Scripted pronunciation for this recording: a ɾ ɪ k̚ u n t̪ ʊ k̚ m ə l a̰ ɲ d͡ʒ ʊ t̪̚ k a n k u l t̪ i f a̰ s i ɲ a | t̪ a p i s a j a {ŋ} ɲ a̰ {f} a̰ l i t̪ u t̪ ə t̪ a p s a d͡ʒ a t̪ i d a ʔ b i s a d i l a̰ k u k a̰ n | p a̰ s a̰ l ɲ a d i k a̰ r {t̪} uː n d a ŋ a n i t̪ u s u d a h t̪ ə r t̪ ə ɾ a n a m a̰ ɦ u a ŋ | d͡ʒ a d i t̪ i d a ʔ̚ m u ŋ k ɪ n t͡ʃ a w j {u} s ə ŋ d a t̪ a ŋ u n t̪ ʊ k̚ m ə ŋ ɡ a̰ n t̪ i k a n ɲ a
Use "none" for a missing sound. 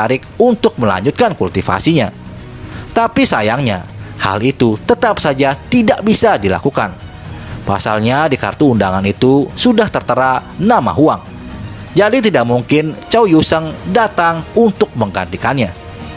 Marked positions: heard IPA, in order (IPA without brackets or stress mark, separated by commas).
ŋ, h, t̪, u